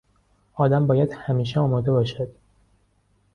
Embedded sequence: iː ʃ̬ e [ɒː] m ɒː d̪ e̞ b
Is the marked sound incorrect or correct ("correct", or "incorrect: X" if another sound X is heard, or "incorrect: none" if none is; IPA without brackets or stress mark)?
correct